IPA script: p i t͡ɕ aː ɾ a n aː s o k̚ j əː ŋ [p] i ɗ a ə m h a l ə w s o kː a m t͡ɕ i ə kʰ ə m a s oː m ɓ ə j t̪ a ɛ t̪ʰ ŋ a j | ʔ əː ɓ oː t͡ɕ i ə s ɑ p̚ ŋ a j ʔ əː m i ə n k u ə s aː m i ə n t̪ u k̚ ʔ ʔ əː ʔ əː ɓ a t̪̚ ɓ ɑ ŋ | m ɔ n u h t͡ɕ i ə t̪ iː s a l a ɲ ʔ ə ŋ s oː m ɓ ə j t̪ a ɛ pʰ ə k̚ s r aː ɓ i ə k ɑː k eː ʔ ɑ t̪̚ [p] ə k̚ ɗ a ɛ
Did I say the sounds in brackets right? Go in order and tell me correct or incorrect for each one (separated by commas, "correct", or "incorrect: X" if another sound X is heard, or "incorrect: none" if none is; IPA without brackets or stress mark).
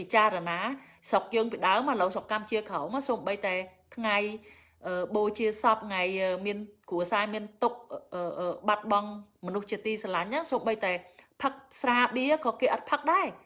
correct, incorrect: pʰ